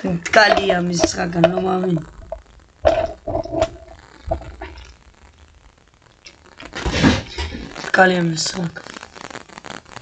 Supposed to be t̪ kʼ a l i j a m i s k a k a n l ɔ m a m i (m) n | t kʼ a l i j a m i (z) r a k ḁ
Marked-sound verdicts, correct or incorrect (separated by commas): incorrect, incorrect